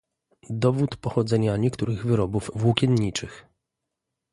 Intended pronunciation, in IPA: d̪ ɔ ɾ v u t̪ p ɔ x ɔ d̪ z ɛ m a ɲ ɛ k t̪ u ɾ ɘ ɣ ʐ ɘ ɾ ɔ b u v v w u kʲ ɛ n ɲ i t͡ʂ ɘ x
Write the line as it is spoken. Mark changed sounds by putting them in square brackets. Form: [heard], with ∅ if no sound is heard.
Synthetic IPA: d̪ ɔ [∅] v u t̪ p ɔ x ɔ d̪ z ɛ [ɲ] a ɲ ɛ k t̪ u ɾ ɘ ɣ [v] ɘ ɾ ɔ b u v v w u kʲ ɛ n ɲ i t͡ʂ ɘ x